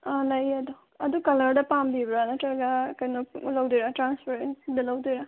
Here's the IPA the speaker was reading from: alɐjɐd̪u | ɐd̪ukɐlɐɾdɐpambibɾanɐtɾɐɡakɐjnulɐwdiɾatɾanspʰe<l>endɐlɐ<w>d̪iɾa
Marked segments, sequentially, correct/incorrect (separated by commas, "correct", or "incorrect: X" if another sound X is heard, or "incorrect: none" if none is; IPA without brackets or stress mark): incorrect: ɾ, correct